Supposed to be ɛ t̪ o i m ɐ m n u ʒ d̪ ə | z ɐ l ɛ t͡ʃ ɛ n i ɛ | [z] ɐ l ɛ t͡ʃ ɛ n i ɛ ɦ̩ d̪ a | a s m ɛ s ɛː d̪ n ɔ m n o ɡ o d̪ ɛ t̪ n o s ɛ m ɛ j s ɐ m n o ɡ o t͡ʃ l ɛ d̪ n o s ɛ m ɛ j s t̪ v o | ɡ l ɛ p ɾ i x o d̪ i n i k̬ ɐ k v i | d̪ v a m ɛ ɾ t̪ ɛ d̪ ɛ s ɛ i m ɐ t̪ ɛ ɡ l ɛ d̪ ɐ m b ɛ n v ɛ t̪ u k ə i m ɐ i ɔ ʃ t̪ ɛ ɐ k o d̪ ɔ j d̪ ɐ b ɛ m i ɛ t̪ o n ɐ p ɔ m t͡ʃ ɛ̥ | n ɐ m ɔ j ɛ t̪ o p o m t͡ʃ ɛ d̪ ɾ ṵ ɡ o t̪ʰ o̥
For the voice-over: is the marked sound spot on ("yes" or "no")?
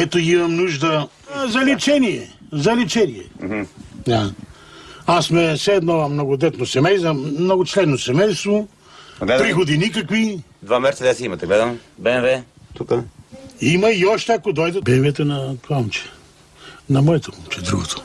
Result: yes